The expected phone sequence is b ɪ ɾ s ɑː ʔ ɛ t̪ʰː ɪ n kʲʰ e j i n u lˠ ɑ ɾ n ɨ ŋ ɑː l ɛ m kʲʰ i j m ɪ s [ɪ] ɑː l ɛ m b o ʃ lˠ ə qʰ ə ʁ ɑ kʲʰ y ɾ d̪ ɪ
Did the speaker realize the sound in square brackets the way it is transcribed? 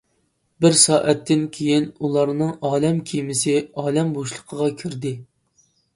yes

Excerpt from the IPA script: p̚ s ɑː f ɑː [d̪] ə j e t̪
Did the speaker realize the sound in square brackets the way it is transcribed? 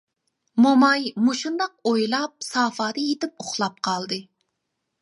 yes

